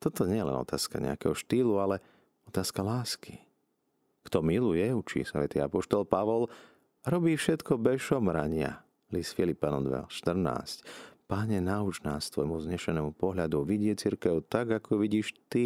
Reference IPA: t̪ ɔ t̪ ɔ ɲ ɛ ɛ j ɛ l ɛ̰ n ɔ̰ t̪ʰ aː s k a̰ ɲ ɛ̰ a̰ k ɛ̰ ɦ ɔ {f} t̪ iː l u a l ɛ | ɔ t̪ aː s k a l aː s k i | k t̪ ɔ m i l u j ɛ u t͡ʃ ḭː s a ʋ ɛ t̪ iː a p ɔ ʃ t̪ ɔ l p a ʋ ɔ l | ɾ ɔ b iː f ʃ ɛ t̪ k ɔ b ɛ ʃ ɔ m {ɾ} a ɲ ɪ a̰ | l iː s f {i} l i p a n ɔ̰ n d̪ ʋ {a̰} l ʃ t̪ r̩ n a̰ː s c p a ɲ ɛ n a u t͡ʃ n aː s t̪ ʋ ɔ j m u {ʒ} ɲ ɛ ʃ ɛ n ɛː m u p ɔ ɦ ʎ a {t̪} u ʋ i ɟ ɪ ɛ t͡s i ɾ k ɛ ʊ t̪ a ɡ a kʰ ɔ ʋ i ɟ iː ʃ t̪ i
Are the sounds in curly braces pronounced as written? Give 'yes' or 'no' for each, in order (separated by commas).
no, yes, yes, no, no, no